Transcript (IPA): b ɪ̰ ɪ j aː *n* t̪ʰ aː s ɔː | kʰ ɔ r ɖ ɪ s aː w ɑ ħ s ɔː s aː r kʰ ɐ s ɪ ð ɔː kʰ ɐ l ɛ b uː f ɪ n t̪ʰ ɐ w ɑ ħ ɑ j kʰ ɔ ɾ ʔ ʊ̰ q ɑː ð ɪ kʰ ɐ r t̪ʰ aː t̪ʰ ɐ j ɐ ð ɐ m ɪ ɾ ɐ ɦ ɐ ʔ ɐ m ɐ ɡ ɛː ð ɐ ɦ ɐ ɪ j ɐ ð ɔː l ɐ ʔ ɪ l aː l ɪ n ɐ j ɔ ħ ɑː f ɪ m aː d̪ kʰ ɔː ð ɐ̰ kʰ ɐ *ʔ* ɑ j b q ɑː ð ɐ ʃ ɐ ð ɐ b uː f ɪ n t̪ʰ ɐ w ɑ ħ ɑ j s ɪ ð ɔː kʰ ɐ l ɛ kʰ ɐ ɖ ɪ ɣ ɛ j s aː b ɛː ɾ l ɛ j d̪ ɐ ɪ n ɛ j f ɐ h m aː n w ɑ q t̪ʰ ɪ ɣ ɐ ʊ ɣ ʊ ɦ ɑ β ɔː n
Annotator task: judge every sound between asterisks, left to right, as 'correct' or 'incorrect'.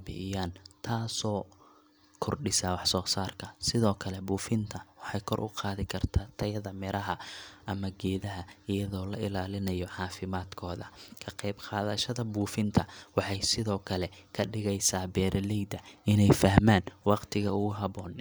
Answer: correct, incorrect: q

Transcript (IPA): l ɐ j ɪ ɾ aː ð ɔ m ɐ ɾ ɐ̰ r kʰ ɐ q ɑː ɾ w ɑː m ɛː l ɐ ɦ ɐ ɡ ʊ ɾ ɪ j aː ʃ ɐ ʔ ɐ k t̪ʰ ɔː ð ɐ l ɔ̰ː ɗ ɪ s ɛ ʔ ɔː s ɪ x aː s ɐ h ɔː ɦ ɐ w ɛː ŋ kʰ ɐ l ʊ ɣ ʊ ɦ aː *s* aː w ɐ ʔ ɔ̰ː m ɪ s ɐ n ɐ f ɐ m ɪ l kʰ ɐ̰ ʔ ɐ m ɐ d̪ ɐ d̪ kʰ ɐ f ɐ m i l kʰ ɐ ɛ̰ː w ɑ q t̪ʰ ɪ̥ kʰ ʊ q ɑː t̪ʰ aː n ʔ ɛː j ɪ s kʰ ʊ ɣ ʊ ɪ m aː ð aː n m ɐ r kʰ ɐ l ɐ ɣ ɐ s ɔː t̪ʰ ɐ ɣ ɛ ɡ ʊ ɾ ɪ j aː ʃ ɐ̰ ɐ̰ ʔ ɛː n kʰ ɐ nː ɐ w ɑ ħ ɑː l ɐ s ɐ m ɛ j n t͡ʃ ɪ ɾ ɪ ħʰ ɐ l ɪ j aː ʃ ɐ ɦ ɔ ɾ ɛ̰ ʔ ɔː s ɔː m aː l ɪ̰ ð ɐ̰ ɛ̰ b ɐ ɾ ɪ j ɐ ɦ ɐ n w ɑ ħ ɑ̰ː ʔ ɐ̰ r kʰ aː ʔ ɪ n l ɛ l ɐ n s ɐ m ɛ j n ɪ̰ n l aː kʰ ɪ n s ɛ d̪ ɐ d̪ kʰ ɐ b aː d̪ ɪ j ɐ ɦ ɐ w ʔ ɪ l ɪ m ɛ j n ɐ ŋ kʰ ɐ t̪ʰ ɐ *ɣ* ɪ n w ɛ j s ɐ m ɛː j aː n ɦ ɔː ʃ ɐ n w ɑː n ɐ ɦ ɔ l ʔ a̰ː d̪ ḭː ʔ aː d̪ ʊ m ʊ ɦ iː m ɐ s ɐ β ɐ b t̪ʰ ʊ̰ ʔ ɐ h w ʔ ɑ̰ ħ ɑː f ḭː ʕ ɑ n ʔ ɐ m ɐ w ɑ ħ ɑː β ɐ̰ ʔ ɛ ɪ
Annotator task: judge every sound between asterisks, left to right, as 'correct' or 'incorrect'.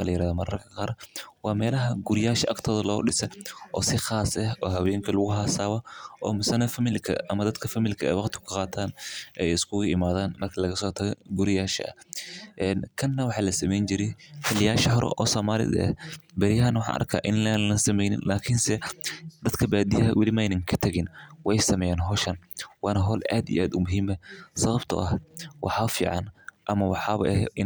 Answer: correct, correct

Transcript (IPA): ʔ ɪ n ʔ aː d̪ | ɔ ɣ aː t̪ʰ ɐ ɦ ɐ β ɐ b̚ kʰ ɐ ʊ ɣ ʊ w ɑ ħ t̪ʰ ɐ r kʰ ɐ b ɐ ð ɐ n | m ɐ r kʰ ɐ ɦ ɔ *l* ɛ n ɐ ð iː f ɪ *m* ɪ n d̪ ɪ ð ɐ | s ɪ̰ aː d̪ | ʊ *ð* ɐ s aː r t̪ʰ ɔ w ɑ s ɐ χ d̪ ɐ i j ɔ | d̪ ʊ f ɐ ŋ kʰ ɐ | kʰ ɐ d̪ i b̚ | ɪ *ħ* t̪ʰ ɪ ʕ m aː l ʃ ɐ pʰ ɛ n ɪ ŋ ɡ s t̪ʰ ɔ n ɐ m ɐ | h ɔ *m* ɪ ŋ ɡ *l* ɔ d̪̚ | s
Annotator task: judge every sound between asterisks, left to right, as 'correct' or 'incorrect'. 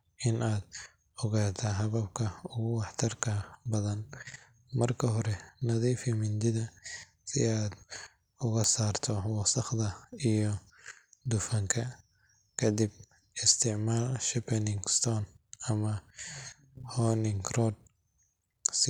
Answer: incorrect: ɾ, correct, incorrect: ɣ, incorrect: s, incorrect: n, incorrect: r

